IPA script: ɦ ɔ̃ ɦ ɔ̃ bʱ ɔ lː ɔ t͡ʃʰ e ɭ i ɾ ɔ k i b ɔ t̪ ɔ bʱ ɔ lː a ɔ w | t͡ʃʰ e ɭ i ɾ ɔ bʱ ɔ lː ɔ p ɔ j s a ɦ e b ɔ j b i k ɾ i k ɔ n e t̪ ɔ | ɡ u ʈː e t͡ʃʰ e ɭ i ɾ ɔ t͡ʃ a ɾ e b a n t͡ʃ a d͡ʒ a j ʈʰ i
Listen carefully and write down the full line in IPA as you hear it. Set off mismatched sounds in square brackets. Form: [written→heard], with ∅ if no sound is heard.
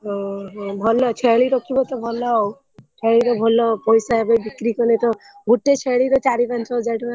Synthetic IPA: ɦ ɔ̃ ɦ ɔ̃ bʱ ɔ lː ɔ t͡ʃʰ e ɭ i ɾ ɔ k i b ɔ t̪ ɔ bʱ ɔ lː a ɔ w | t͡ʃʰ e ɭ i ɾ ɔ bʱ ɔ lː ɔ p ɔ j s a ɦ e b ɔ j b i k ɾ i k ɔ n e t̪ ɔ | ɡ u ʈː e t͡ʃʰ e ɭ i ɾ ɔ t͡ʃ a ɾ [e→i] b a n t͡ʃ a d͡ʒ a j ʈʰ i